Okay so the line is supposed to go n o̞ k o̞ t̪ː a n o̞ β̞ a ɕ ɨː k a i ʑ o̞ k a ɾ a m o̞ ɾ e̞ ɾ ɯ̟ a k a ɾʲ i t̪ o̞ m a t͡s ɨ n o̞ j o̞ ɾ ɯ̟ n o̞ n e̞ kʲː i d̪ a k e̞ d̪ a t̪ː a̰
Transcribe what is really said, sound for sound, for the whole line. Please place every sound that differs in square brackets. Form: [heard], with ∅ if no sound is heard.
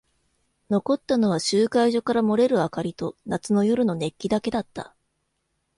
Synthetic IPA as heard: n o̞ k o̞ t̪ː a n o̞ β̞ a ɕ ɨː k a i ʑ o̞ k a ɾ a m o̞ ɾ e̞ ɾ ɯ̟ a k a ɾʲ i t̪ o̞ [n] a t͡s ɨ n o̞ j o̞ ɾ ɯ̟ n o̞ n e̞ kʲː i d̪ a k e̞ d̪ a t̪ː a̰

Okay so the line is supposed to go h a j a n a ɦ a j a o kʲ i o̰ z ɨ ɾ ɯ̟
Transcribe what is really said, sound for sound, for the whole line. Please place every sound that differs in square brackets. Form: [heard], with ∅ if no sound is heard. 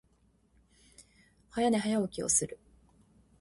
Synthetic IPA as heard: h a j a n [e] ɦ a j a o kʲ i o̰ [s] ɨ ɾ ɯ̟

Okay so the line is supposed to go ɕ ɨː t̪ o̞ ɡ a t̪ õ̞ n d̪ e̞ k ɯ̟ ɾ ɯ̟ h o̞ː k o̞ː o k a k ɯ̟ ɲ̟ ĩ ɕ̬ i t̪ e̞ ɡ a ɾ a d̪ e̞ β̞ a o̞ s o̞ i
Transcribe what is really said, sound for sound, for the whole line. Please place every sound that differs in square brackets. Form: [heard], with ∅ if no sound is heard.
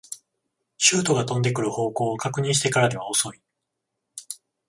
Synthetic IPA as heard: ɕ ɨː t̪ o̞ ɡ a t̪ õ̞ n d̪ e̞ k ɯ̟ ɾ ɯ̟ h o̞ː k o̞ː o k a k ɯ̟ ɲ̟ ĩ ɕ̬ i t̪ e̞ [k] a ɾ a d̪ e̞ β̞ a o̞ s o̞ i

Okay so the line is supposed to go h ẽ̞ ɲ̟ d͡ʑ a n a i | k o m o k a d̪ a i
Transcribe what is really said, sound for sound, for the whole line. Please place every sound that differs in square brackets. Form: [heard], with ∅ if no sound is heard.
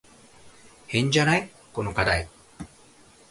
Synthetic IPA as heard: h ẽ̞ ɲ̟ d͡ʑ a n a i | k o [n] o k a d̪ a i

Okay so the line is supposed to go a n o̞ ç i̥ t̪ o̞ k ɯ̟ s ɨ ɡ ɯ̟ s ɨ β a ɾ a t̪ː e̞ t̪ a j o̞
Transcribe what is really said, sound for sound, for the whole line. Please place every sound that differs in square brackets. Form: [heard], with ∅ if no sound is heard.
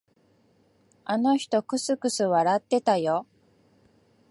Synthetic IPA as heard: a n o̞ ç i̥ t̪ o̞ k ɯ̟ s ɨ [k] ɯ̟ s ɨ β a ɾ a t̪ː e̞ t̪ a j o̞

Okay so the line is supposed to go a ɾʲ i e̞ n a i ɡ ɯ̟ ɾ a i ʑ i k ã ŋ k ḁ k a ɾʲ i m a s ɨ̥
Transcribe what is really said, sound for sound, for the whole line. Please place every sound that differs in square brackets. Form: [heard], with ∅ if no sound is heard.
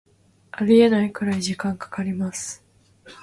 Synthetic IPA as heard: a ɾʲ i e̞ n a i [k] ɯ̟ ɾ a i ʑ i k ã ŋ k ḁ k a ɾʲ i m a s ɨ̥

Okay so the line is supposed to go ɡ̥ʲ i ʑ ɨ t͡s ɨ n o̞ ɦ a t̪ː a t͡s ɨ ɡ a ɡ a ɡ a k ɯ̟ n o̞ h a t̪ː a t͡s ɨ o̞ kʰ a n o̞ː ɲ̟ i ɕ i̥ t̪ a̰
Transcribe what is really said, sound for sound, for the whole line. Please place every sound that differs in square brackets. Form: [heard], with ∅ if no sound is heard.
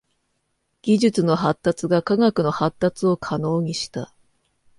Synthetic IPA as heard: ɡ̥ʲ i ʑ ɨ t͡s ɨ n o̞ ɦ a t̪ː a t͡s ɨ ɡ a [k] a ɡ a k ɯ̟ n o̞ h a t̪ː a t͡s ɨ o̞ kʰ a n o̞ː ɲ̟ i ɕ i̥ t̪ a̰

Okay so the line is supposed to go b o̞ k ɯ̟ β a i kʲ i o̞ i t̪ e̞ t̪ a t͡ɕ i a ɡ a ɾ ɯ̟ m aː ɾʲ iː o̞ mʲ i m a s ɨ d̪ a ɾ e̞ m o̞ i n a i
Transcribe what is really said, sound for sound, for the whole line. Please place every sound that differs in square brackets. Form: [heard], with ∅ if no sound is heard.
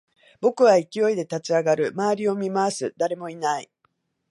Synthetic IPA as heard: b o̞ k ɯ̟ β a i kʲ i o̞ i [d̪] e̞ t̪ a t͡ɕ i a ɡ a ɾ ɯ̟ m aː ɾʲ [i] o̞ mʲ i m a s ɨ d̪ a ɾ e̞ m o̞ i n a i

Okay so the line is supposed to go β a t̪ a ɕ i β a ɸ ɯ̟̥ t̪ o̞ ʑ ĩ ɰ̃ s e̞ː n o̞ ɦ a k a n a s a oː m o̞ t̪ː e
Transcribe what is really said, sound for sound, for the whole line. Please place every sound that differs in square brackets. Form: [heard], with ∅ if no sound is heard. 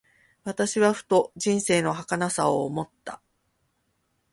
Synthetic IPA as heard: β a t̪ a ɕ i β a ɸ ɯ̟̥ t̪ o̞ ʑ ĩ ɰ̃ s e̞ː n o̞ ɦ a k a n a s a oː m o̞ t̪ː [a]

